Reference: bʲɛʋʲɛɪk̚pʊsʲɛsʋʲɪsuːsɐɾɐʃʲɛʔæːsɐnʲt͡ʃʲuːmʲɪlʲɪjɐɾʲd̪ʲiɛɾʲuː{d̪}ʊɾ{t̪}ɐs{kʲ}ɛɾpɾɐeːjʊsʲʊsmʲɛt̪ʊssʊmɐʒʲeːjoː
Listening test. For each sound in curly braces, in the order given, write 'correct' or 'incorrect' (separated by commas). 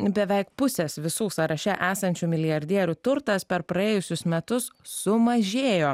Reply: incorrect, correct, incorrect